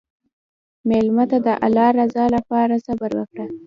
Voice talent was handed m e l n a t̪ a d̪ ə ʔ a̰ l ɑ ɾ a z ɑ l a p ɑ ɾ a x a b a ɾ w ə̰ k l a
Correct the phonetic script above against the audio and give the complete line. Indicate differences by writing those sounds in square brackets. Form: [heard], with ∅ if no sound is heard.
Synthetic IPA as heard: m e l [m] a t̪ a d̪ ə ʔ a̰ l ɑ ɾ a z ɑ l a p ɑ ɾ a [s] a b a ɾ w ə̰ k [ɽ] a